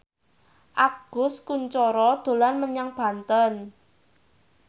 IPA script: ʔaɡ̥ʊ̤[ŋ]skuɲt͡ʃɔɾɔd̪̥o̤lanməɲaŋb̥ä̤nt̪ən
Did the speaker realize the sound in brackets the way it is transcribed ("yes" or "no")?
no